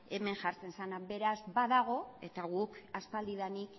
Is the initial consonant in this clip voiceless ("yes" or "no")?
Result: no